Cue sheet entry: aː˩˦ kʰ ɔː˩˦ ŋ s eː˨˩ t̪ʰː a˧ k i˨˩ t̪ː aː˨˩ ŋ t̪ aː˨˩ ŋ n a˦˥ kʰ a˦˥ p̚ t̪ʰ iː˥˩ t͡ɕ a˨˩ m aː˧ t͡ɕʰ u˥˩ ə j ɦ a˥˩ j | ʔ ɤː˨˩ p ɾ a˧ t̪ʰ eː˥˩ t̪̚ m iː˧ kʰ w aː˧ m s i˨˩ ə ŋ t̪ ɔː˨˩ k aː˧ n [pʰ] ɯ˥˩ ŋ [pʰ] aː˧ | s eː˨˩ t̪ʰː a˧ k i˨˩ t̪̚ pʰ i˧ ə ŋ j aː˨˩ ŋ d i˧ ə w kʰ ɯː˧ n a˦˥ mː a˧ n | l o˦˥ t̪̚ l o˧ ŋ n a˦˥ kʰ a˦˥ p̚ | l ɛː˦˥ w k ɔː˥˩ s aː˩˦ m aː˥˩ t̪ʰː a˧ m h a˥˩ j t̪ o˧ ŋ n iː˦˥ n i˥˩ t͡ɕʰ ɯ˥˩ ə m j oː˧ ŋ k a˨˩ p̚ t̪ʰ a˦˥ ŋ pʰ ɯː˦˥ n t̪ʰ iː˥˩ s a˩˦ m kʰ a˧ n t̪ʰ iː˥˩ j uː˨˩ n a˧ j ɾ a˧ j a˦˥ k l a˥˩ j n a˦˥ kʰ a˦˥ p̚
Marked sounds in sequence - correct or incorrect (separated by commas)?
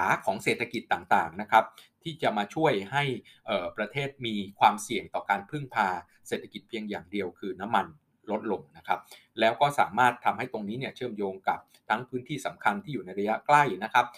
correct, correct